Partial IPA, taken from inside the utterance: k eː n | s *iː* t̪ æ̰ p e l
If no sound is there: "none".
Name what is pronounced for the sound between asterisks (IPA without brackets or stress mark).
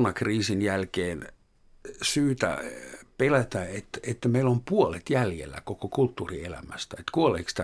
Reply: yː